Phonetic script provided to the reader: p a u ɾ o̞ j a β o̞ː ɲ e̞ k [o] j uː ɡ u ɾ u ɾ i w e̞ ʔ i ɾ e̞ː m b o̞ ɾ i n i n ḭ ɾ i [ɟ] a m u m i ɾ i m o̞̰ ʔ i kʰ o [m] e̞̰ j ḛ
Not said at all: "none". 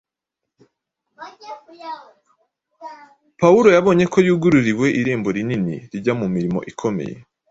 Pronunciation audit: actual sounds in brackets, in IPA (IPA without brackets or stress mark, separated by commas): o, ɟ, m